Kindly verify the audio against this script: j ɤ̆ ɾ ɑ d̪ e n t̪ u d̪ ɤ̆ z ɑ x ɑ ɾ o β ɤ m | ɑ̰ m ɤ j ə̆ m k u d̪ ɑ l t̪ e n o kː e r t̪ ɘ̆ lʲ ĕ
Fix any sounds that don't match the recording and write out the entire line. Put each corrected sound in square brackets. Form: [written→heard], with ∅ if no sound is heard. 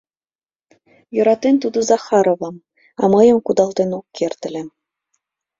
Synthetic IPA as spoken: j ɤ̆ ɾ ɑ [d̪→t̪] e n t̪ u d̪ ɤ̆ z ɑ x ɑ ɾ o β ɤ m | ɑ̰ m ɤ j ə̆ m k u d̪ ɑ l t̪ e n o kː e r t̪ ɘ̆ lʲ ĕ